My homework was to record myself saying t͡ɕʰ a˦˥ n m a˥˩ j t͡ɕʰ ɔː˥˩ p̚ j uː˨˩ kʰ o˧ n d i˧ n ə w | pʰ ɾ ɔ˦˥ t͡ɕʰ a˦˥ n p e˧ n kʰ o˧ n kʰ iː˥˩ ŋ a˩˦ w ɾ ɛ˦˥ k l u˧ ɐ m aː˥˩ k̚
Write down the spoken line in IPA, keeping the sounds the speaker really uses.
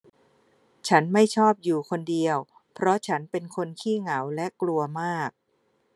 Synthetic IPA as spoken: t͡ɕʰ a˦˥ n m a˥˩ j t͡ɕʰ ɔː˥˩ p̚ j uː˨˩ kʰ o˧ n d i˧ ə w | pʰ ɾ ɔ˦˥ t͡ɕʰ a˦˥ n p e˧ n kʰ o˧ n kʰ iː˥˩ ŋ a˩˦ w l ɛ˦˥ k l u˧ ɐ m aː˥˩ k̚